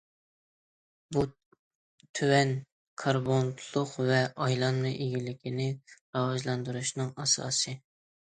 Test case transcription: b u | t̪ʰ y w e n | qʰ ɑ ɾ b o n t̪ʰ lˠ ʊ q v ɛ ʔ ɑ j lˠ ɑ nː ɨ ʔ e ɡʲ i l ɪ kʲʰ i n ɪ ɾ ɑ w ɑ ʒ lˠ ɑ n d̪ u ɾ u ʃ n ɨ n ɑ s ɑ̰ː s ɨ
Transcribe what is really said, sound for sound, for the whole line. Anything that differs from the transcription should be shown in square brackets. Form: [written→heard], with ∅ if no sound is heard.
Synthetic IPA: b u | t̪ʰ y w [e→ɛ] n | [qʰ→kʰ] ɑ ɾ b o n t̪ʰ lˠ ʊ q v ɛ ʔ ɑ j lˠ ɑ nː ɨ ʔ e ɡʲ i l ɪ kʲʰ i n ɪ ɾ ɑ w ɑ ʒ lˠ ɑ n d̪ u ɾ u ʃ n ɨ [n→ŋ] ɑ s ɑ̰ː s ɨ